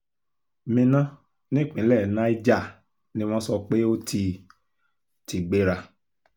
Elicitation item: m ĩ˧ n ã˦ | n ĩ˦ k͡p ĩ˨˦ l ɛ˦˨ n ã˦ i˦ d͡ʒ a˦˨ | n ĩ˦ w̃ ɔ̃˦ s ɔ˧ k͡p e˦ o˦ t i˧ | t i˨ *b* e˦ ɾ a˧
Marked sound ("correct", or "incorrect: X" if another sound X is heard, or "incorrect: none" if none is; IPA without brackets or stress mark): incorrect: ɡ͡b